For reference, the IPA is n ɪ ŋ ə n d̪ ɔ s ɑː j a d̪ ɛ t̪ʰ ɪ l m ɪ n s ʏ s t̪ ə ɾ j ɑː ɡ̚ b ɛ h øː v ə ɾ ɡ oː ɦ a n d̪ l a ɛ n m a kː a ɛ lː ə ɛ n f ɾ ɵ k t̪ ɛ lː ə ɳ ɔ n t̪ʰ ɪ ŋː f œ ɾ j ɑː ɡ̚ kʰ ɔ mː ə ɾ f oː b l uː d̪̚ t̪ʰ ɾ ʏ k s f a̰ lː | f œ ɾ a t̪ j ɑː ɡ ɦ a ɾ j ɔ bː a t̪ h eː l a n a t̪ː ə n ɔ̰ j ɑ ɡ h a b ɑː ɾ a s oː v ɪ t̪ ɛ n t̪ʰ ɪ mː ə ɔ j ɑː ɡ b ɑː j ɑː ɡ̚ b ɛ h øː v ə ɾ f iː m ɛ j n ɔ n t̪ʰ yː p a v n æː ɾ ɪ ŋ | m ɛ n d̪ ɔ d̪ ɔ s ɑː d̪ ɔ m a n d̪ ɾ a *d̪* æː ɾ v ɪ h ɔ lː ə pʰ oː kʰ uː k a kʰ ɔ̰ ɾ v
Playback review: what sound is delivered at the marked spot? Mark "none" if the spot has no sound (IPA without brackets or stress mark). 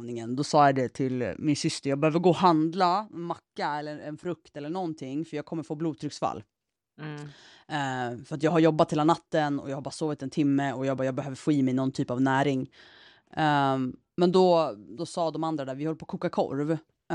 d̪